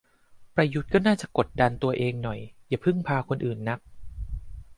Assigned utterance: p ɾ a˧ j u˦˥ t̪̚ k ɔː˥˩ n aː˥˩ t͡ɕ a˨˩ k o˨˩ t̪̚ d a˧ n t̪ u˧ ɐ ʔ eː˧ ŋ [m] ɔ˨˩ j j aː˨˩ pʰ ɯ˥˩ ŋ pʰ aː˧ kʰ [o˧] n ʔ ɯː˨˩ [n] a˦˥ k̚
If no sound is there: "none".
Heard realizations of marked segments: n, o˧, nː

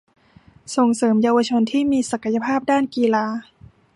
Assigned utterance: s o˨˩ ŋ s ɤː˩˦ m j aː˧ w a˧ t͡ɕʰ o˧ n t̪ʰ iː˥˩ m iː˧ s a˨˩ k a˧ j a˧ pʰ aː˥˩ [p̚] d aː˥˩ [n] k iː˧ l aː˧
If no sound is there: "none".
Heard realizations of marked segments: p̚, n

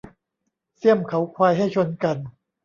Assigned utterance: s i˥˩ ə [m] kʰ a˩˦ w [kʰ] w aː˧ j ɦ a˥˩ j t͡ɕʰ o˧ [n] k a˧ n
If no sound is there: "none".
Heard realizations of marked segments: m, kʰ, n

